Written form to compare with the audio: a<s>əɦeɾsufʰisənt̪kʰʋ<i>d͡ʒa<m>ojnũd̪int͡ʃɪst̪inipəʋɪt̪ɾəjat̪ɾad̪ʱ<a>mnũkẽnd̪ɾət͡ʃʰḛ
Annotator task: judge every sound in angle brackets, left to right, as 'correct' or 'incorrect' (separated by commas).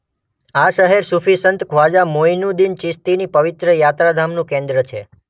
incorrect, incorrect, correct, correct